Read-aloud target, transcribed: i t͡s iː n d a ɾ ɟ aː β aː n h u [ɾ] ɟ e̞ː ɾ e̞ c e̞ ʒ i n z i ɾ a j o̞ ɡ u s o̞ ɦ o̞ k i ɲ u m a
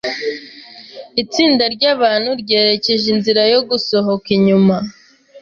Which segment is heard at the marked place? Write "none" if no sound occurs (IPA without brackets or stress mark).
ɾ